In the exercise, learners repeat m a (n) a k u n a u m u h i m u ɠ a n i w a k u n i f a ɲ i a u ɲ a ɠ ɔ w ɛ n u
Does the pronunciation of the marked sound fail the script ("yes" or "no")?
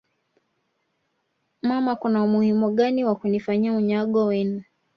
yes